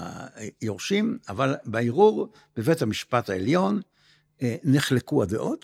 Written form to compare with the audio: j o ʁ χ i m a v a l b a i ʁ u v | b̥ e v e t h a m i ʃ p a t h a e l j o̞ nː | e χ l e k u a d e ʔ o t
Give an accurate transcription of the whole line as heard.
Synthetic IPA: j o ʁ ʃ i m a v a l b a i ʁ u ʁ | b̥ e v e t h a m i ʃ p a t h a e l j o̞ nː | e χ l e k u a d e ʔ o t